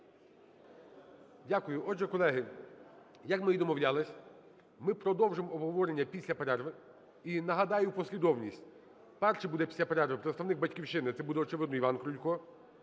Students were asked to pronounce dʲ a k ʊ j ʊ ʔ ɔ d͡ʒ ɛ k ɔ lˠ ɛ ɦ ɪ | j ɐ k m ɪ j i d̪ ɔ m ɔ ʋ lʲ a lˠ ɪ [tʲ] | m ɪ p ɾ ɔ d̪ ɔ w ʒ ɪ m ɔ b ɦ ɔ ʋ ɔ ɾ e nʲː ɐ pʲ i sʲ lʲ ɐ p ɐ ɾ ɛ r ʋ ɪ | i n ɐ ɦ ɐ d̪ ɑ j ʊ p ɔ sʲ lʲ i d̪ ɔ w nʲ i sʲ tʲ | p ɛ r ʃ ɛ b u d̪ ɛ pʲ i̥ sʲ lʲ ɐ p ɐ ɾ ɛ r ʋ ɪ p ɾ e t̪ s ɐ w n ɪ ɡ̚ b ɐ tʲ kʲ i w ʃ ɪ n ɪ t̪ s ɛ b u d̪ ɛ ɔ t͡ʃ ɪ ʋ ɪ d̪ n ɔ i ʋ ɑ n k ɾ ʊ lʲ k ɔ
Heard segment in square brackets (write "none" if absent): sʲ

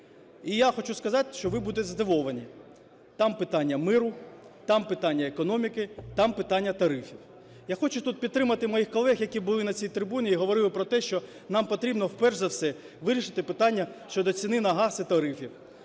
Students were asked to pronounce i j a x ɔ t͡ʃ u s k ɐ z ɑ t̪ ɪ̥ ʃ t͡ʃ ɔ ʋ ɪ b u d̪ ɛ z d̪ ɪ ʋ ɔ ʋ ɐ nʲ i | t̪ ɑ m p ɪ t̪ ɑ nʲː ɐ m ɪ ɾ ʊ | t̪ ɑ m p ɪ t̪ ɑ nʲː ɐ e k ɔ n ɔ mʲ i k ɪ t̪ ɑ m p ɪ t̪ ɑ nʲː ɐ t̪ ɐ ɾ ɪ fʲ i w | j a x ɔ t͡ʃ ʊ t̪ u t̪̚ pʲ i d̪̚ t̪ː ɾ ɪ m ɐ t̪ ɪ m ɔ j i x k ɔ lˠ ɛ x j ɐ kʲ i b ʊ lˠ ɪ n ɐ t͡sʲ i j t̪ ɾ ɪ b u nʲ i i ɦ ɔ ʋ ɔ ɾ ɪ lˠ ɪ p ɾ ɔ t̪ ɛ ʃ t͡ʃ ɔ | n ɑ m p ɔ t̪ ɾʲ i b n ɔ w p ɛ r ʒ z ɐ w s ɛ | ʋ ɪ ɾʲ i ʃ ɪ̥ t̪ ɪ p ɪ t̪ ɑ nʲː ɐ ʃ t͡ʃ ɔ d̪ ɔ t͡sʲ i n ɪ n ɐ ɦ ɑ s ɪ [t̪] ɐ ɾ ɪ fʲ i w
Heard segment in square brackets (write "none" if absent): t̪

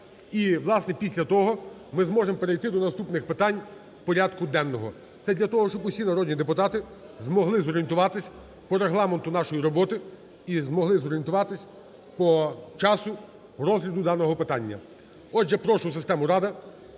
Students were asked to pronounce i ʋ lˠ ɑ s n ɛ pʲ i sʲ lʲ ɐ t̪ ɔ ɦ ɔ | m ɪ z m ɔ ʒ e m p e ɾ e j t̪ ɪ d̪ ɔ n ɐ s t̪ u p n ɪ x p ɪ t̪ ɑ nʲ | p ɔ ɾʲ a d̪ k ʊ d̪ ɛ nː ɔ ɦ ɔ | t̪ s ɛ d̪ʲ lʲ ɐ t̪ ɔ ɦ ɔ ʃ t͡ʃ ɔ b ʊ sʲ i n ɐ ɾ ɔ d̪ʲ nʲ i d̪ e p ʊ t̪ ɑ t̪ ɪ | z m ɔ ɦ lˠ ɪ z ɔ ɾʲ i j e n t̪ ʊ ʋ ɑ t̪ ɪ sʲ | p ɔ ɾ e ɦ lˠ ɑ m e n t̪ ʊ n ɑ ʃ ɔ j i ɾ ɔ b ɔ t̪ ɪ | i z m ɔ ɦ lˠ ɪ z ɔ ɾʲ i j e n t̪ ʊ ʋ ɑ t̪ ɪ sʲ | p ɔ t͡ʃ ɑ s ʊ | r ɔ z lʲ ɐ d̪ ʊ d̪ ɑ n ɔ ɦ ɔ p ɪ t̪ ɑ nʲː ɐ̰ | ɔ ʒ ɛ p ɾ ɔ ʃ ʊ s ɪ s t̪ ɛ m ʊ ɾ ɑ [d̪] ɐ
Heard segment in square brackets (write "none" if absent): d̪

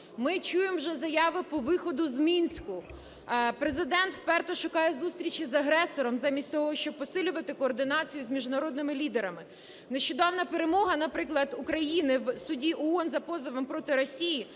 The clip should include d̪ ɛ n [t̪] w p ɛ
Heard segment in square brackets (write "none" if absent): t̪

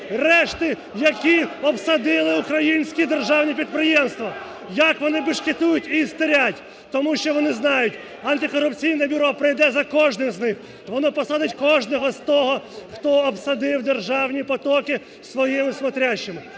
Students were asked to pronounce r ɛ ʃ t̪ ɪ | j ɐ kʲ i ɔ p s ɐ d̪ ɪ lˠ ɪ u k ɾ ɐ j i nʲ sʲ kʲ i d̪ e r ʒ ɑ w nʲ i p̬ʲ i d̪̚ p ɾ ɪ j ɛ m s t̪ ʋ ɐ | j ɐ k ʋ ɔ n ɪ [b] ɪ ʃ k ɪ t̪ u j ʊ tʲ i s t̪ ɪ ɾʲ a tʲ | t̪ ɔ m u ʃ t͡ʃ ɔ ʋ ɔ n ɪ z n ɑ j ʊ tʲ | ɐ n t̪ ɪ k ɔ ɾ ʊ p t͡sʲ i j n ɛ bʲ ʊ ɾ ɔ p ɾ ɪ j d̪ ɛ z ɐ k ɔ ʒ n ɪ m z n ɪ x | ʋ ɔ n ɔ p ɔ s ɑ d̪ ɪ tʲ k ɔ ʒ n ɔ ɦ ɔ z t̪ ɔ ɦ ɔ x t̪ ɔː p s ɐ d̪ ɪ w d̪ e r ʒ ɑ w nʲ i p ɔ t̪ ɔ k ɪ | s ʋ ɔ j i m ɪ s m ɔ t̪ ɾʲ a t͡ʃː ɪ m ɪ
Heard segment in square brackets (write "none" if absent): b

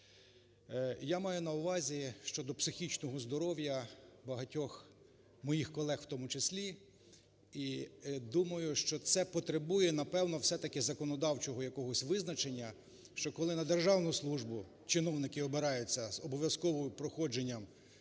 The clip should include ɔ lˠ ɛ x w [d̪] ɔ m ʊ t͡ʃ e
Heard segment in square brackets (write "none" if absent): t̪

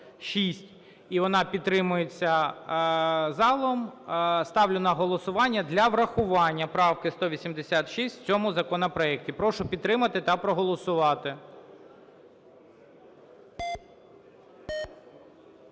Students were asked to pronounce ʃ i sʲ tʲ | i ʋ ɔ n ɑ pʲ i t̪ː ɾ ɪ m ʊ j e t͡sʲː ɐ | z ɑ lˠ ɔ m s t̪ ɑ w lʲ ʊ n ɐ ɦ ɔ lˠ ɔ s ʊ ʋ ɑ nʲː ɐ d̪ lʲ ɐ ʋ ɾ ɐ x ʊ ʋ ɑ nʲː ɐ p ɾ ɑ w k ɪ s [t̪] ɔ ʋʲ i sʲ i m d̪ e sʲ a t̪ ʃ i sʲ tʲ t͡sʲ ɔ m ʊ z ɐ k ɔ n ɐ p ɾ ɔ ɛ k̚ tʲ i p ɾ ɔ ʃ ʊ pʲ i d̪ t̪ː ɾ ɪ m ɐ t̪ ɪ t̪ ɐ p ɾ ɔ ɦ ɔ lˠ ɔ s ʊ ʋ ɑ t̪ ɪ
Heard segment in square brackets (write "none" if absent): t̪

